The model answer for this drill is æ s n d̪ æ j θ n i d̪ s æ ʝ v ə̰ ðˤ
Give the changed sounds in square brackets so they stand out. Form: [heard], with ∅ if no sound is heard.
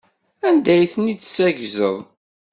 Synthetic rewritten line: æ [∅] n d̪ æ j θ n i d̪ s æ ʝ [z] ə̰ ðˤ